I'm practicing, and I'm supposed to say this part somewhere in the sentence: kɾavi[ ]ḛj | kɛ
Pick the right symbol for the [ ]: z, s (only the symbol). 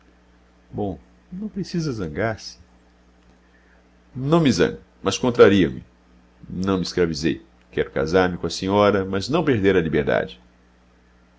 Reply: z